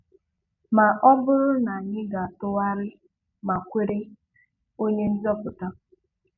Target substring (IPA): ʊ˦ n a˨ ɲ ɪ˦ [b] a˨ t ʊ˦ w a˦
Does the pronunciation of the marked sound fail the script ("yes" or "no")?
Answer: yes